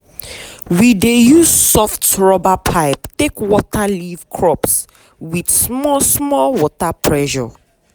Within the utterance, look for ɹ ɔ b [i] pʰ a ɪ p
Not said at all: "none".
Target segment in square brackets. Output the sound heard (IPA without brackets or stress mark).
a